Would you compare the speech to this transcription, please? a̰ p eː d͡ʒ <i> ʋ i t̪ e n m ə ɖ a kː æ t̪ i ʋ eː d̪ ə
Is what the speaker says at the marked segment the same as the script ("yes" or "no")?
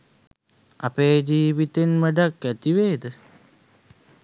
no